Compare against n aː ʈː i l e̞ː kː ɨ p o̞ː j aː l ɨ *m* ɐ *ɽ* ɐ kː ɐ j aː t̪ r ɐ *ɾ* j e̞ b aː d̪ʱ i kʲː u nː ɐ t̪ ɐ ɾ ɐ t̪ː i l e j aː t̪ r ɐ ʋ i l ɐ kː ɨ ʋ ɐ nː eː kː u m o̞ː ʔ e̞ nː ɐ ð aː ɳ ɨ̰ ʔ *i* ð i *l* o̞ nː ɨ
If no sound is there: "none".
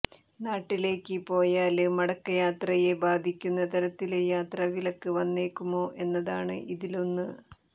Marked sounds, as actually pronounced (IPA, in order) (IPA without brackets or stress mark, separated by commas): m, ɽ, none, i, l